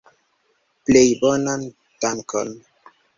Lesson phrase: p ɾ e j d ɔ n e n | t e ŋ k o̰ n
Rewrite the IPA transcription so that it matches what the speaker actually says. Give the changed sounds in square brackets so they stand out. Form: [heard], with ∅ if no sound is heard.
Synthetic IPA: p [l] e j [b] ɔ n [a] n | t [a] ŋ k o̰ n